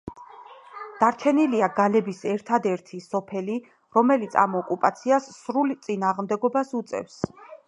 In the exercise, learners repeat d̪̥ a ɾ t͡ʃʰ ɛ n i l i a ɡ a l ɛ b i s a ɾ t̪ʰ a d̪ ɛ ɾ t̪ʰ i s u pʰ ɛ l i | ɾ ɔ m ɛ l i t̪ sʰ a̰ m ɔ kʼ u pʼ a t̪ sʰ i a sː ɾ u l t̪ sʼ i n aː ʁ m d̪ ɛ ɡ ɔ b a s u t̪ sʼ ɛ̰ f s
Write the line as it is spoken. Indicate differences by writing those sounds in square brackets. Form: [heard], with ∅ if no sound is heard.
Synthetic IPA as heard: d̪̥ a ɾ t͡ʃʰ ɛ n i l i a ɡ a l ɛ b i s [ɛ] ɾ t̪ʰ a d̪ ɛ ɾ t̪ʰ i s [ɔ] pʰ ɛ l i | ɾ ɔ m ɛ l i t̪ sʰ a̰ m ɔ kʼ u pʼ a t̪ sʰ i a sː ɾ u l t̪ sʼ i n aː ʁ m d̪ ɛ ɡ ɔ b a s u t̪ sʼ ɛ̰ f s